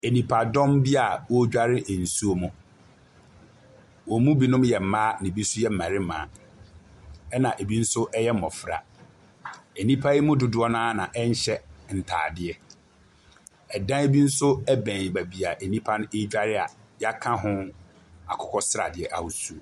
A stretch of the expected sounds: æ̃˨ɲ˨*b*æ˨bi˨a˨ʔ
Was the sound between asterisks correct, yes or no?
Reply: yes